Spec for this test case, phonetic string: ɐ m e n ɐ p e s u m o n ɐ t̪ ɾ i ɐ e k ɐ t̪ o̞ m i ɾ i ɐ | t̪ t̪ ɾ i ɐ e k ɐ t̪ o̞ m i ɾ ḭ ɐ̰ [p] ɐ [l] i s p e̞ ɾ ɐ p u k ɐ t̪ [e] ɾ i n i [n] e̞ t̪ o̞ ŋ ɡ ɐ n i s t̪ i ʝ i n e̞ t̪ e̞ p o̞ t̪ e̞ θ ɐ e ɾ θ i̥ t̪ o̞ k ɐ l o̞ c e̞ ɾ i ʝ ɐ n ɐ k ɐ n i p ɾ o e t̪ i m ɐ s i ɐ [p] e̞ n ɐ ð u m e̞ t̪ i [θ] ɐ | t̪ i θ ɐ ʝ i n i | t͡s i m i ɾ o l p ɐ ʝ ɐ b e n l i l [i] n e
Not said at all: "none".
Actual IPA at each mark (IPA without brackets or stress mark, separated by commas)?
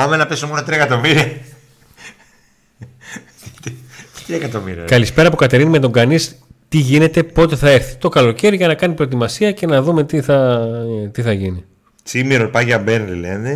k, l, e, m, c, θ, e